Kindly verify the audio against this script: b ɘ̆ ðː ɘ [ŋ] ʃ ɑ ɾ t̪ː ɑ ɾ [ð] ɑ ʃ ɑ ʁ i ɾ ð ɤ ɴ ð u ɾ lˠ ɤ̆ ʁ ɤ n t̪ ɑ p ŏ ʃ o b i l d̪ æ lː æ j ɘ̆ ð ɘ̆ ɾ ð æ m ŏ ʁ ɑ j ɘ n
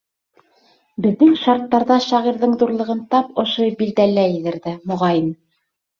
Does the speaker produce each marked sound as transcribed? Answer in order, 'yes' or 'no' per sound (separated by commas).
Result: yes, yes